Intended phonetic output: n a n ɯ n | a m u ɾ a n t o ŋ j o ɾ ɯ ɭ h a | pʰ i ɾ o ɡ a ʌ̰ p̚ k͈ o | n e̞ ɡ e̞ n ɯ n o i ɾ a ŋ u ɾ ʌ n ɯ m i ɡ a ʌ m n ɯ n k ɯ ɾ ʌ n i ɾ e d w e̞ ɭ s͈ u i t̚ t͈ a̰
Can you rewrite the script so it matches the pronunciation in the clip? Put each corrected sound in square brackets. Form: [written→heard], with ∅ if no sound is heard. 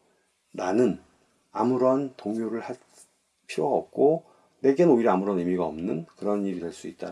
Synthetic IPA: n a n ɯ n | a m u ɾ [a→ʌ] n t o ŋ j o ɾ ɯ ɭ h a | pʰ i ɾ o ɡ a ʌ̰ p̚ k͈ o | n e̞ ɡ e̞ n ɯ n o i ɾ a [ŋ→m] u ɾ ʌ n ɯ m i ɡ a ʌ m n ɯ n k ɯ ɾ ʌ n i ɾ [e→i] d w e̞ ɭ s͈ u i t̚ t͈ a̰